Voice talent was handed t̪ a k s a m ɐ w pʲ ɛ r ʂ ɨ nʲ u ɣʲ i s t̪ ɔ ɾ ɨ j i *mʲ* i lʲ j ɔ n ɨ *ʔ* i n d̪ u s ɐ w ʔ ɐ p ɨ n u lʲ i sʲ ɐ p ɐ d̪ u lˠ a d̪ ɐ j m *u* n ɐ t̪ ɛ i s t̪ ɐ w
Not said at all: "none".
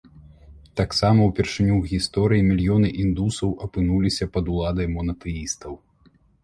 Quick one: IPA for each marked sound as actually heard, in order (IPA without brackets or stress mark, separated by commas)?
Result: mʲ, ʔ, ɔ